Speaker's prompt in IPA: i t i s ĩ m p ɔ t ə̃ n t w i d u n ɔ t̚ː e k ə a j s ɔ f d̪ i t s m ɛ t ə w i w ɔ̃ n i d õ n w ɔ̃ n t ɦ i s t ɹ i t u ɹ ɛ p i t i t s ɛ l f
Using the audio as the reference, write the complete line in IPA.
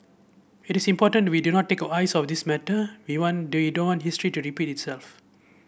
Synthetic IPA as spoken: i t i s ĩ m p ɔ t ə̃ n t w i d u n ɔ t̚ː e k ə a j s ɔ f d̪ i s m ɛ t ə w i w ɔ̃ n i d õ n w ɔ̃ n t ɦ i s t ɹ i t u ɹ i p i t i t s ɛ l f